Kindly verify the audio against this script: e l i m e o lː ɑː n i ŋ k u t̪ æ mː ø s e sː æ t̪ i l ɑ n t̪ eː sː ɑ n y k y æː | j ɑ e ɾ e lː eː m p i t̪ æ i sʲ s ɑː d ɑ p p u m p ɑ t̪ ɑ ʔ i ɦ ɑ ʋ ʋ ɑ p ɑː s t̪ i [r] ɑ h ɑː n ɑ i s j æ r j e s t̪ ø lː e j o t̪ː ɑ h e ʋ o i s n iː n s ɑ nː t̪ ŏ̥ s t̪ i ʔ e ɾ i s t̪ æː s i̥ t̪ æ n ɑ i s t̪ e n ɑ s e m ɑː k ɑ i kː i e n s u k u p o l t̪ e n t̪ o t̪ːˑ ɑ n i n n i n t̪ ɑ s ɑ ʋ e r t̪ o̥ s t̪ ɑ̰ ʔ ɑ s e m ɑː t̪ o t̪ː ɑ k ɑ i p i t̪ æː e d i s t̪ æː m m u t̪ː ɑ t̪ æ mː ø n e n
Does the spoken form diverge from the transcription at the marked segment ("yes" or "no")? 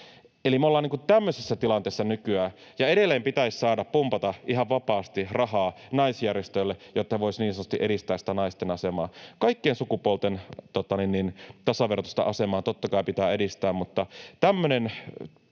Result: no